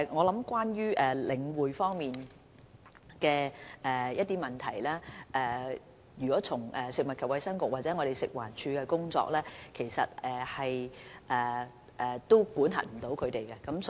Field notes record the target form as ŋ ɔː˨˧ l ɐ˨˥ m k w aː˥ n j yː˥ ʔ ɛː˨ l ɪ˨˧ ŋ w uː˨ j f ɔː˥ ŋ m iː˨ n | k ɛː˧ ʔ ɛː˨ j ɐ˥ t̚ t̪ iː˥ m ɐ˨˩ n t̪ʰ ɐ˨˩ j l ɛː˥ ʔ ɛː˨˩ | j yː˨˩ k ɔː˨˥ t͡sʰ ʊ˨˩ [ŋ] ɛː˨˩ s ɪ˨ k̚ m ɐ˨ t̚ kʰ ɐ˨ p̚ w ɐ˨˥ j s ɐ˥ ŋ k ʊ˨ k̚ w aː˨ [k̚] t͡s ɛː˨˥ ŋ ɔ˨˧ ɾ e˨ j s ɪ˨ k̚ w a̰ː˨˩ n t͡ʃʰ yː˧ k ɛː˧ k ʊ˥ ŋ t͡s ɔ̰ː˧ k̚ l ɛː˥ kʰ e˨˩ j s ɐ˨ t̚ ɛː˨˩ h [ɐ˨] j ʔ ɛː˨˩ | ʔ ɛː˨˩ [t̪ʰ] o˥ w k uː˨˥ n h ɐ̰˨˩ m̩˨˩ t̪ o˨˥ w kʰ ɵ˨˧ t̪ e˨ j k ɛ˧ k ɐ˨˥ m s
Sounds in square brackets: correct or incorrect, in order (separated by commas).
correct, incorrect, correct, incorrect